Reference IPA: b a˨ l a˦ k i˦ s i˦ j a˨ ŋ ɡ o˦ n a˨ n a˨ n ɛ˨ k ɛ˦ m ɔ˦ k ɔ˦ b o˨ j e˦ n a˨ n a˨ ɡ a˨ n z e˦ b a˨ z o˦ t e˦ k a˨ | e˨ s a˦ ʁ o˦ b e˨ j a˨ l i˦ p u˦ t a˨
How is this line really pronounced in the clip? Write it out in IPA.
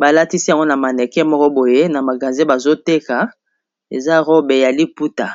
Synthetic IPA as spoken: b a˨ l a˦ t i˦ s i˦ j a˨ ŋ ɡ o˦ n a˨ m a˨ n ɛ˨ k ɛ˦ m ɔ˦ k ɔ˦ b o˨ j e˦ n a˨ m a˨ ɡ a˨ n z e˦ b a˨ z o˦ t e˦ k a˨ | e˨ z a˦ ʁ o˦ b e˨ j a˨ l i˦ p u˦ t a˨